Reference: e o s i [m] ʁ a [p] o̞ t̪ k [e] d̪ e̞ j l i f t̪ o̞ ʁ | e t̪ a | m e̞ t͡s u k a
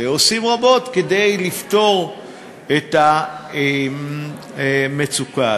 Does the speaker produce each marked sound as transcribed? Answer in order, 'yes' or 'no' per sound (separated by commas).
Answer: yes, no, yes